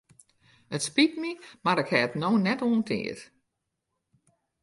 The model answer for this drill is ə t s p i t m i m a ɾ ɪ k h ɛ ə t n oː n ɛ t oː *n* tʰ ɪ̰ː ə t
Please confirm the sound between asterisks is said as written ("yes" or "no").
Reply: yes